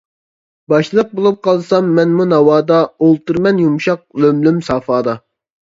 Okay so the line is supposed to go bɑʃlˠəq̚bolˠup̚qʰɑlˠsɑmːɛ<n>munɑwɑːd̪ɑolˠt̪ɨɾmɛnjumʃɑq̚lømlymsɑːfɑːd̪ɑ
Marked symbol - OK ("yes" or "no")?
yes